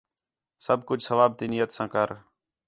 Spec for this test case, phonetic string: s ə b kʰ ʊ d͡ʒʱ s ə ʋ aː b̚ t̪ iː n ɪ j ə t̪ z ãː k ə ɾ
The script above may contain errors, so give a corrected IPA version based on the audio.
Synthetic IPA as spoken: s ə b k ʊ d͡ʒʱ s ə ʋ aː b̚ t̪ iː n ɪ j ə t̪ s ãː k ə ɾ